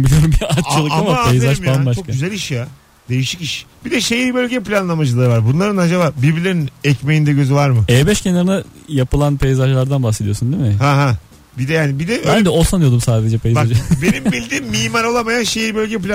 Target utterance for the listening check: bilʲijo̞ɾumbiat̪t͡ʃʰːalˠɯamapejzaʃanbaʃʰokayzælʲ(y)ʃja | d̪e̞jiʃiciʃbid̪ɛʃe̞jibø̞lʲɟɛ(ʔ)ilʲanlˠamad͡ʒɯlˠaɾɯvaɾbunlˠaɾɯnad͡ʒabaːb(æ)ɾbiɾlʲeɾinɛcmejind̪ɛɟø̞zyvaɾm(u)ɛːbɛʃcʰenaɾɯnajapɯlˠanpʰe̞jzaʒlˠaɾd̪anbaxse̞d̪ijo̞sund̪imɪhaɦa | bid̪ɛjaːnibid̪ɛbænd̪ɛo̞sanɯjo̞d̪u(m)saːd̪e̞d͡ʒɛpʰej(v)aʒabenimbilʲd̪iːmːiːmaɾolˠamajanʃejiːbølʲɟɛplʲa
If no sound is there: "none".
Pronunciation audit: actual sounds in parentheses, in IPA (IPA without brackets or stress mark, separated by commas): i, p, i, ɯ, m, z